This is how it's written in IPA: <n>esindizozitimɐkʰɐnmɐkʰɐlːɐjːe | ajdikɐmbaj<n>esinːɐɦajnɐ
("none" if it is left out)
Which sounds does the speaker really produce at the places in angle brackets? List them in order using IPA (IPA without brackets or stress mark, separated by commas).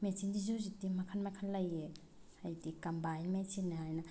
m, m